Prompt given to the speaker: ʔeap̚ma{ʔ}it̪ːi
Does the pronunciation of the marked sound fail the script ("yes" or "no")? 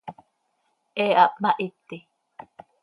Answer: no